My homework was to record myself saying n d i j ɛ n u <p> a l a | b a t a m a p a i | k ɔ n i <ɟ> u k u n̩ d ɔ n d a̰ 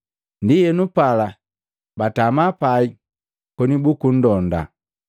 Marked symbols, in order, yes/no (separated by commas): yes, no